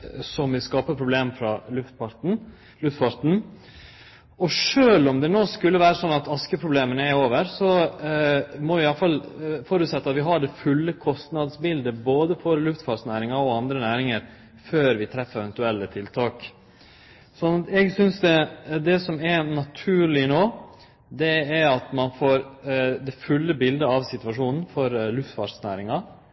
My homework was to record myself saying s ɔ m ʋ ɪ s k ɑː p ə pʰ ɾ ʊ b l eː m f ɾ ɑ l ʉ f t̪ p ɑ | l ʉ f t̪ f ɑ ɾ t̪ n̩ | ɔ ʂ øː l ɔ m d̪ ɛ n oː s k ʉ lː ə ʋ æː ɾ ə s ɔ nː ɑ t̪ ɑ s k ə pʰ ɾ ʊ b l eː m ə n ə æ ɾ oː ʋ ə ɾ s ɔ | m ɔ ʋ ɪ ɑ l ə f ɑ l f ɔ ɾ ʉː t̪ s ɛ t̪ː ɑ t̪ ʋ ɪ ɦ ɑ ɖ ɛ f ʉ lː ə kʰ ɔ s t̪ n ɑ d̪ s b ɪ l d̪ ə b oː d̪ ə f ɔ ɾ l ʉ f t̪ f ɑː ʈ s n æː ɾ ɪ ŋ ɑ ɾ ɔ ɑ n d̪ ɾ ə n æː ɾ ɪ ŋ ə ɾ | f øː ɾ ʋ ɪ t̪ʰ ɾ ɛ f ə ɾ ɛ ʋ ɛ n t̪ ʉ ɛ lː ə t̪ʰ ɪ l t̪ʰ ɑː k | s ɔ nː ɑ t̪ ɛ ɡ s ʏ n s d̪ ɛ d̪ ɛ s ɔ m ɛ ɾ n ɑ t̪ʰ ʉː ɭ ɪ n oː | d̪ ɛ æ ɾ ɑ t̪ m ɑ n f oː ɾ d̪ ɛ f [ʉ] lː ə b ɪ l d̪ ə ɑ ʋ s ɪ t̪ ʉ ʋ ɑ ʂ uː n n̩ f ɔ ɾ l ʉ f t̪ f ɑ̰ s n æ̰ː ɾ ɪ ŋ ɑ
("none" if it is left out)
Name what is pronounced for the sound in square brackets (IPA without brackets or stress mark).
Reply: ʉ